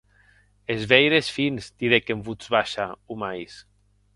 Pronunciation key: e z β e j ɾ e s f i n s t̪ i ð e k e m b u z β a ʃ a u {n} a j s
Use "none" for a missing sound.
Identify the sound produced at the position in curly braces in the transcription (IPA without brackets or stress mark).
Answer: m